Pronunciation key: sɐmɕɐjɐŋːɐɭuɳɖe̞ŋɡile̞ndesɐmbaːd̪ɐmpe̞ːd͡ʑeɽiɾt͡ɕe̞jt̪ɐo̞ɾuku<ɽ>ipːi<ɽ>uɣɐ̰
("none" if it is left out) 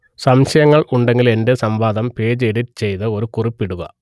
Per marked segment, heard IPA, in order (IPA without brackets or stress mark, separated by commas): r, ɽ